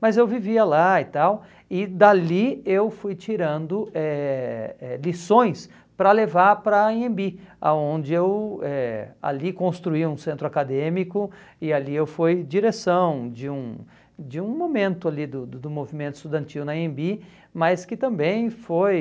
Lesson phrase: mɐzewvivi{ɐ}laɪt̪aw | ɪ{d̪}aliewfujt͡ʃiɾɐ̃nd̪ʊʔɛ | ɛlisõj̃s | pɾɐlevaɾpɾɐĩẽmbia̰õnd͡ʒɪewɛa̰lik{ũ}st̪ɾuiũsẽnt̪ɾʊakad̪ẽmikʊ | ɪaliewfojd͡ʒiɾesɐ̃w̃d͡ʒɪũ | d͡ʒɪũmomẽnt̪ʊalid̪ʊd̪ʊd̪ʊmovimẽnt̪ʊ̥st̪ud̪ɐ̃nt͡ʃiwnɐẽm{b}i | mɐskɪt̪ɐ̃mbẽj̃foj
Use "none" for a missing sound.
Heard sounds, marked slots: ɐ, d̪, õ, b

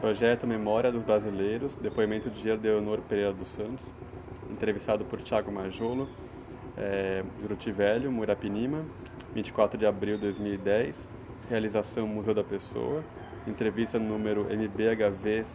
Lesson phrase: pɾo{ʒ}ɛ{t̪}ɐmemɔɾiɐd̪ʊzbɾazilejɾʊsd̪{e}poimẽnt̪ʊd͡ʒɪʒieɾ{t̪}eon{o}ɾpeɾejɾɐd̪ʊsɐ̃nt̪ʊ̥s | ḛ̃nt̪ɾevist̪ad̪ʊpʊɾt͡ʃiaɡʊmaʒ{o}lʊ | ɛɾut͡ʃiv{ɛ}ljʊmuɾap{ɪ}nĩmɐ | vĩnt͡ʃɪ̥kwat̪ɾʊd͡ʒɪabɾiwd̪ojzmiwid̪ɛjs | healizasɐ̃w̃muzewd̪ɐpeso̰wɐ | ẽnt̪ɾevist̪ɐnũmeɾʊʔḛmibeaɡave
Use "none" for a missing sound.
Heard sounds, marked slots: ʒ, t̪, e, d̪, o, o, ɛ, i

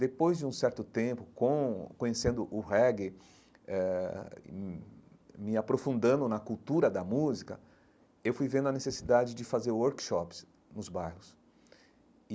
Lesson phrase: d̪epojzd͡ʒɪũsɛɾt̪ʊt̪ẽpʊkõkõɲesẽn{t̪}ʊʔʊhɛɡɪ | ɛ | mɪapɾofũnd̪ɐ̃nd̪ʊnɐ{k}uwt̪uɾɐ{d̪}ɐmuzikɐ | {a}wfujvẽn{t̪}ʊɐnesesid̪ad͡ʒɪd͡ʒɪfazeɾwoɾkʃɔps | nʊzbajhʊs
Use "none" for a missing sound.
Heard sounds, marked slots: d̪, k, d̪, e, d̪

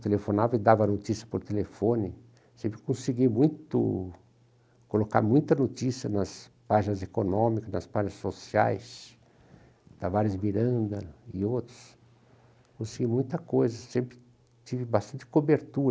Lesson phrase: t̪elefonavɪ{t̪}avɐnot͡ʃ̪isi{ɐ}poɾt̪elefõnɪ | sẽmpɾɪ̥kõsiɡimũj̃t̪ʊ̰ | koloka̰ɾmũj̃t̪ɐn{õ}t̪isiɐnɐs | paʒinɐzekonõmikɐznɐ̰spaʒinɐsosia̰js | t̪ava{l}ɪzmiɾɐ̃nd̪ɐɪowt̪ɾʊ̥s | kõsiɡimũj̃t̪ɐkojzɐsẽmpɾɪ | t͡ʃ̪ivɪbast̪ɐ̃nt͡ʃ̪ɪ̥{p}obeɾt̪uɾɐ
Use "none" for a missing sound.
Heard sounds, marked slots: d̪, ɐ, o, ɾ, k

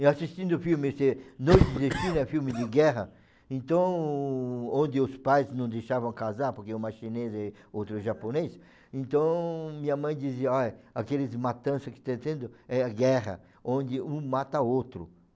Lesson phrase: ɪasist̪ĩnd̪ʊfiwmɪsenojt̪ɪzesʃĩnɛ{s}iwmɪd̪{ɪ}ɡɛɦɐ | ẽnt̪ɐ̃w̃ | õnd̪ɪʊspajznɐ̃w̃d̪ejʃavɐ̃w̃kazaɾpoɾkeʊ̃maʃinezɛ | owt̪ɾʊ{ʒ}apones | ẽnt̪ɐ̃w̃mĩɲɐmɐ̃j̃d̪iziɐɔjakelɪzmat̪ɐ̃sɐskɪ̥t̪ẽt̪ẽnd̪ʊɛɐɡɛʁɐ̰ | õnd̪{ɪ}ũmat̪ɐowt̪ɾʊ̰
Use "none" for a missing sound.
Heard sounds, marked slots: f, ɪ, ʒ, ɪ

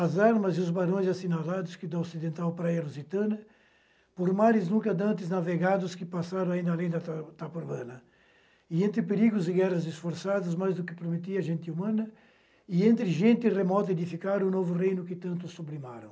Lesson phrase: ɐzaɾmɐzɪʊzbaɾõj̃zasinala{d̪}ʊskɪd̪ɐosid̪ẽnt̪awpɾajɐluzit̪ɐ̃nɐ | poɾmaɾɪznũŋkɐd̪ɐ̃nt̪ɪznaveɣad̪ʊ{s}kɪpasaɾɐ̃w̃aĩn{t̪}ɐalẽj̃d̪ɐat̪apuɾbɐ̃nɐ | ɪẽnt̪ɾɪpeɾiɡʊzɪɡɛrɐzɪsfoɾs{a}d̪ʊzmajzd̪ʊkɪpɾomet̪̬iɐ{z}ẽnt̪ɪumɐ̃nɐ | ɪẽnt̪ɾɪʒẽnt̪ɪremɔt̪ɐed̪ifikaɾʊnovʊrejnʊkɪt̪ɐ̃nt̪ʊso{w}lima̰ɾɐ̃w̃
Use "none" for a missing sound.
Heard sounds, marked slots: d̪, s, d̪, a, ʒ, b

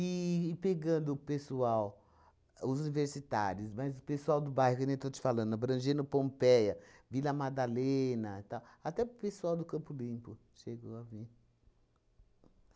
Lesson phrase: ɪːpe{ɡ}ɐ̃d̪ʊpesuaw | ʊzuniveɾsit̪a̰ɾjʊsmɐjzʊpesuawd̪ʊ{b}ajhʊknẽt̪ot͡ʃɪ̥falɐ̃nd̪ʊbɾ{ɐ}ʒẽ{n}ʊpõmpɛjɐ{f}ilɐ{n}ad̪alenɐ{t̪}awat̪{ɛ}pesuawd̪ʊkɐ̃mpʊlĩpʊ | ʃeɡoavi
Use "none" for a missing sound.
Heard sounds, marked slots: ɡ, b, ɐ̃, n, v, m, t̪, ɛ

